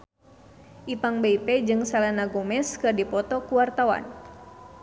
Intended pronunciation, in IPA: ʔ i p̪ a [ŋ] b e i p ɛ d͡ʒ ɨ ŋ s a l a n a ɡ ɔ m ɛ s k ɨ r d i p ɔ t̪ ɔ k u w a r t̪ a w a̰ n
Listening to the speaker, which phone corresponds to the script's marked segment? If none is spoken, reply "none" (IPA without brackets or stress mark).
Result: ŋ